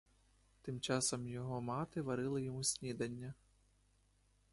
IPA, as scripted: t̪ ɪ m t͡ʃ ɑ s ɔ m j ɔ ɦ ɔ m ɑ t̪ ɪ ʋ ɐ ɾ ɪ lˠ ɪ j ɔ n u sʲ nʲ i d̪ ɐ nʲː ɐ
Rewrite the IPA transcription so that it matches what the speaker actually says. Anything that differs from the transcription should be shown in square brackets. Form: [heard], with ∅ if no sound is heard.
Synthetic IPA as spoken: t̪ ɪ m t͡ʃ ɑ s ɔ m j ɔ ɦ ɔ m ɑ t̪ ɪ ʋ ɐ ɾ ɪ lˠ ɪ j ɔ [m] u sʲ nʲ i d̪ ɐ nʲː ɐ